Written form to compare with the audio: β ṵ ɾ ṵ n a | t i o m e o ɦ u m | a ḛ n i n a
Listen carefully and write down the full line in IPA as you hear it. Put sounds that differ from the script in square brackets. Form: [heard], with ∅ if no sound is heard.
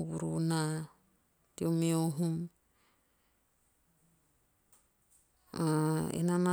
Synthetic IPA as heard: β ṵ ɾ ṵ n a | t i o m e o ɦ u m | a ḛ n [a] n a